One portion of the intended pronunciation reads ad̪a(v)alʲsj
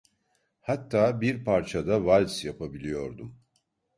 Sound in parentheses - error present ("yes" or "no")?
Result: no